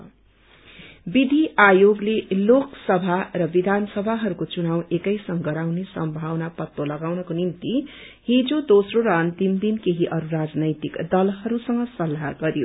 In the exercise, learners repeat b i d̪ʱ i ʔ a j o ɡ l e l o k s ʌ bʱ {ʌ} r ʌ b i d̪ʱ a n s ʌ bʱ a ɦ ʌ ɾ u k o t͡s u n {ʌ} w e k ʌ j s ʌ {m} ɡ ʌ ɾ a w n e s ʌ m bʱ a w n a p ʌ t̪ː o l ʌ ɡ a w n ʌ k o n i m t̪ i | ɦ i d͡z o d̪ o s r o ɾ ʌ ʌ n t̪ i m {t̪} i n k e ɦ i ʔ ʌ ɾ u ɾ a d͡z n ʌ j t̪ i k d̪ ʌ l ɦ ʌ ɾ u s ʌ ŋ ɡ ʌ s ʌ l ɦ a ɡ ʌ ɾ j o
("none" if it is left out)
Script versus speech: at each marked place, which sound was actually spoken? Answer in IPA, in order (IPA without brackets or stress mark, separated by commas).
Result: a, a, ŋ, d̪